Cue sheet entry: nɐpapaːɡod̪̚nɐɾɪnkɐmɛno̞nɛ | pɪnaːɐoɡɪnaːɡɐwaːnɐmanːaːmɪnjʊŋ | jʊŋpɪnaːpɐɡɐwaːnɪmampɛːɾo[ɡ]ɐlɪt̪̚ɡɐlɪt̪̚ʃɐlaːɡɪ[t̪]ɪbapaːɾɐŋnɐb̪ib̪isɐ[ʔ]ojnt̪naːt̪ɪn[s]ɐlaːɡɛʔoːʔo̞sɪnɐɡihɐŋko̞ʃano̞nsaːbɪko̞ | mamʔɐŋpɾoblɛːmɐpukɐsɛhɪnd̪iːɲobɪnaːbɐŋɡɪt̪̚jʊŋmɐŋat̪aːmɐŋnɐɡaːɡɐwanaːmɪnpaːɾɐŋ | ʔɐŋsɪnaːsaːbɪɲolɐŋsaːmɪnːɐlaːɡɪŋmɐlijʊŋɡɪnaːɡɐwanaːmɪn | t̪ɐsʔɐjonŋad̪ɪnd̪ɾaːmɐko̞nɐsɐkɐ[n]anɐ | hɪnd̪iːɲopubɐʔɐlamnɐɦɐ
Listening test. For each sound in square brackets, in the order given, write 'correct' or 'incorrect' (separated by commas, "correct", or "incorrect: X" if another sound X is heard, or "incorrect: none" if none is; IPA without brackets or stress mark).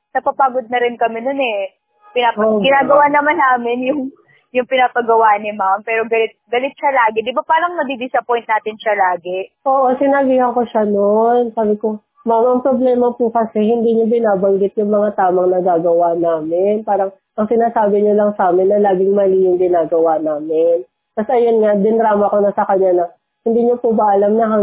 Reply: correct, incorrect: d̪, incorrect: p, incorrect: ʃ, incorrect: ɲ